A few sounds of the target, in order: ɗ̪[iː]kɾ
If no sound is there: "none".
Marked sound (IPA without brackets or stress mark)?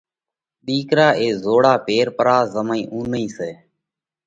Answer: iː